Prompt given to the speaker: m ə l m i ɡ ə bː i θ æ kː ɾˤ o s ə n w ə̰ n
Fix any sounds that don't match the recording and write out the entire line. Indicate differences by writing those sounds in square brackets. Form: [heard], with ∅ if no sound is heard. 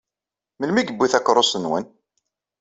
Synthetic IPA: m ə l m i ɡ ə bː i θ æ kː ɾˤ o s ə n w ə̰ n

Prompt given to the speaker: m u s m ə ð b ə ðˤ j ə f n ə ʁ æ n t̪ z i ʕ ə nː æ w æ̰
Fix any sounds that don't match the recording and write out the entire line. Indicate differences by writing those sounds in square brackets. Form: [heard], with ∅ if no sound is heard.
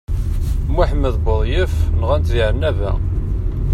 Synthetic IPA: m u [ħ] m ə ð b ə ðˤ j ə f n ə ʁ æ n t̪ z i ʕ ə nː æ [v] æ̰

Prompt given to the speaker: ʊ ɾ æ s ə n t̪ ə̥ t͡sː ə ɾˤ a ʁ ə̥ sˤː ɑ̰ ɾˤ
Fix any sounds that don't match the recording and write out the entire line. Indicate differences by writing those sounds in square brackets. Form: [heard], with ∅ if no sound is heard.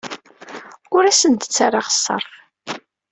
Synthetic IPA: ʊ ɾ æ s ə n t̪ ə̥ t͡sː [a] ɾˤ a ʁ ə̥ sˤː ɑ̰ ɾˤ

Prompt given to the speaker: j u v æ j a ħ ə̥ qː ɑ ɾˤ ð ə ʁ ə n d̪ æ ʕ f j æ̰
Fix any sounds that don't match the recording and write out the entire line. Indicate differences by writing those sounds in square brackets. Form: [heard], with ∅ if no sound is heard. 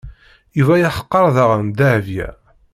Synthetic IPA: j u v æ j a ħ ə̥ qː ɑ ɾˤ ð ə ʁ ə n d̪ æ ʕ [v] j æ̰

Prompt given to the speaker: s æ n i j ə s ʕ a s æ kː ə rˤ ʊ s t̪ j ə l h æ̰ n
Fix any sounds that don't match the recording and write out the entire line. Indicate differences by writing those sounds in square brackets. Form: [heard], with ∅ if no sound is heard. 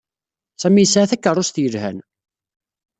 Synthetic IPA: s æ [m] i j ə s ʕ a [θ] æ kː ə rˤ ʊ s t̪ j ə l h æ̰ n

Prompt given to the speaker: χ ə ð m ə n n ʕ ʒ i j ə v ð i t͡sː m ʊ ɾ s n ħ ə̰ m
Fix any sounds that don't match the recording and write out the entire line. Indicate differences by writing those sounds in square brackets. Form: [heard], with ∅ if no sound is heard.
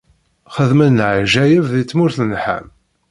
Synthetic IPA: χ ə ð m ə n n ʕ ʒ [æ] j ə v ð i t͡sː m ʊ ɾ [θ] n ħ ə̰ m

